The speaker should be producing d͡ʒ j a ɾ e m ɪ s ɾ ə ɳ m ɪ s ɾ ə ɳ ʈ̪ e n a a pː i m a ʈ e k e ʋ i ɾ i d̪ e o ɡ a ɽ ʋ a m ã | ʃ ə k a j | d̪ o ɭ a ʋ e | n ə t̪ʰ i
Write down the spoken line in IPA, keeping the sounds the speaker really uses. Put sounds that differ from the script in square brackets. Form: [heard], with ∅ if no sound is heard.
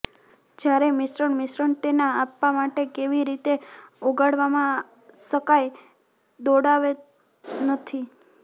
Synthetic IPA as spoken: d͡ʒ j a ɾ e m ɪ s ɾ ə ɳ m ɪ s ɾ ə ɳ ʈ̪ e n a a pː [a] m a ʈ e k e ʋ i ɾ i [t̪] e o ɡ a ɽ ʋ a m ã | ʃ ə k a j | d̪ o [ɽ] a ʋ e | n ə t̪ʰ i